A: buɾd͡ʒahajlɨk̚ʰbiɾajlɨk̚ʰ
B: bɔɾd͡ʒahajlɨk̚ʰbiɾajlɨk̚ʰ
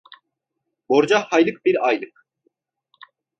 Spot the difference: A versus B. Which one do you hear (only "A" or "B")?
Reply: B